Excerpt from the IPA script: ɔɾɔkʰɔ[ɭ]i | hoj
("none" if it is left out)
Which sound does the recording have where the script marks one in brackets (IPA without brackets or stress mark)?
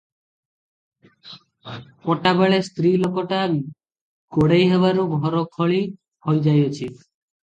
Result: ɭ